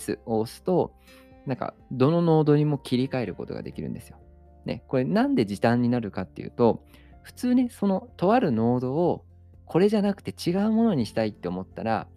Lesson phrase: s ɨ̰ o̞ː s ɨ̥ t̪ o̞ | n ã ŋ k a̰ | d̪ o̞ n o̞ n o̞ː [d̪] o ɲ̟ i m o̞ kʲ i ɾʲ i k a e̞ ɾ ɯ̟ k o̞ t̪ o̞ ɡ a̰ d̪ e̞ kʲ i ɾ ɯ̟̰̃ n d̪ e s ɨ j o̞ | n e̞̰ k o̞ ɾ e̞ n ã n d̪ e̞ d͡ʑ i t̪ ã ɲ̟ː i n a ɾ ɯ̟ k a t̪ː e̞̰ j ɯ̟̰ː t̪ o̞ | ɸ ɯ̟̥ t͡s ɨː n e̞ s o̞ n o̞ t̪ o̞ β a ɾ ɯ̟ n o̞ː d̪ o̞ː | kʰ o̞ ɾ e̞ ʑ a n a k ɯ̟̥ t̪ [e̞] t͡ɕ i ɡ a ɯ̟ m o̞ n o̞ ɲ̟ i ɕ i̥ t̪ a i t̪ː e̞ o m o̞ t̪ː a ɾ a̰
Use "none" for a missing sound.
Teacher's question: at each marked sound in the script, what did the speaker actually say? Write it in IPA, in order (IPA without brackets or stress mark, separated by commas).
d̪, e̞